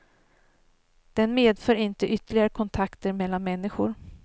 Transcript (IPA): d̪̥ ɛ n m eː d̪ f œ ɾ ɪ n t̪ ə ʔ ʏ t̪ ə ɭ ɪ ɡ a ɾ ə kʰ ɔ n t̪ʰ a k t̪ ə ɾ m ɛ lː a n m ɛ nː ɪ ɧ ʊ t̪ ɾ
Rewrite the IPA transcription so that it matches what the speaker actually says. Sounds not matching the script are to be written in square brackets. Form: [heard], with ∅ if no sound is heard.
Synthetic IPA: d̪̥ ɛ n m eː d̪ f [œː] ɾ ɪ n t̪ ə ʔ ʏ t̪ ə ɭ ɪ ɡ a ɾ ə kʰ ɔ n t̪ʰ a k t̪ ə ɾ m ɛ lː a n m ɛ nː ɪ ɧ ʊ [∅] ɾ